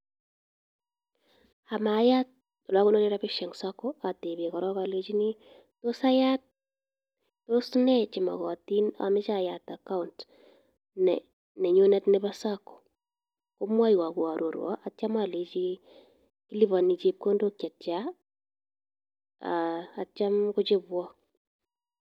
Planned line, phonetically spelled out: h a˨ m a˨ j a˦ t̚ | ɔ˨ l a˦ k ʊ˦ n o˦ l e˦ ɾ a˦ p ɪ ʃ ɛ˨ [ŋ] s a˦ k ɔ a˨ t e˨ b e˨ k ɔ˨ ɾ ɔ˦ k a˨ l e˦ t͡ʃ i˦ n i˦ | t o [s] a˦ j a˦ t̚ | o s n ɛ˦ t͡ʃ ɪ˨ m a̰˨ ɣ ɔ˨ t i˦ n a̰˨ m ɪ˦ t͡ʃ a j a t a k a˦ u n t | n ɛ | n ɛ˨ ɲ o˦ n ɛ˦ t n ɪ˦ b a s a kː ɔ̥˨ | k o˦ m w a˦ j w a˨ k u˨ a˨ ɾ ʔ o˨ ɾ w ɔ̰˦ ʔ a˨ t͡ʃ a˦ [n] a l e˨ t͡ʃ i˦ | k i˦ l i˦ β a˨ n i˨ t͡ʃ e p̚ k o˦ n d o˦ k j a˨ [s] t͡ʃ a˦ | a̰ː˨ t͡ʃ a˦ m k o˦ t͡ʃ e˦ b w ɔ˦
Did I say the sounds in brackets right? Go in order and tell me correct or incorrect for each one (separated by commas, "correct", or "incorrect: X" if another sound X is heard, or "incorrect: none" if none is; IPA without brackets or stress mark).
correct, correct, incorrect: m, incorrect: t